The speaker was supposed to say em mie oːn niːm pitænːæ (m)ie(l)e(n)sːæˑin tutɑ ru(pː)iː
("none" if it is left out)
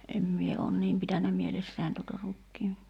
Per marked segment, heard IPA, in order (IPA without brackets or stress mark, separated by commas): m, l, none, kː